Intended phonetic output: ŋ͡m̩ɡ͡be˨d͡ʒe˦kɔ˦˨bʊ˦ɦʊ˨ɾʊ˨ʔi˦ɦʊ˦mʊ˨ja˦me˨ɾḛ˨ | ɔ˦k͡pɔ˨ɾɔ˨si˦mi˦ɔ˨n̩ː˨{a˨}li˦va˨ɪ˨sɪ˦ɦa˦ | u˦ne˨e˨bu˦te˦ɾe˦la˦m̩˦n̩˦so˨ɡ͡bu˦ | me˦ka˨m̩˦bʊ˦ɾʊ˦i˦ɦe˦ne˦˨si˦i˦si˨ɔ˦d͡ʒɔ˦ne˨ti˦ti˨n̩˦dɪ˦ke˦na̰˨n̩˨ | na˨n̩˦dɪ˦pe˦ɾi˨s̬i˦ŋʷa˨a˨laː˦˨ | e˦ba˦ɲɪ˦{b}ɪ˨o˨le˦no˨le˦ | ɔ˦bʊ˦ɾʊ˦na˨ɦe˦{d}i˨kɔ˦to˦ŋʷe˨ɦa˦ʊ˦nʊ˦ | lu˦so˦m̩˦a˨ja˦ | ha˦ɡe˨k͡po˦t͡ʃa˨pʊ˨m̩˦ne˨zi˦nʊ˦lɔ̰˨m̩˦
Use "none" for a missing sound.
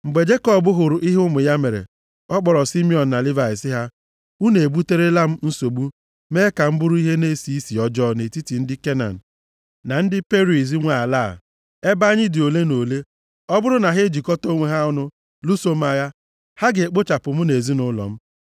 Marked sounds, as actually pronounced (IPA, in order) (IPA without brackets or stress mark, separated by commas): a˨, d, d͡ʒ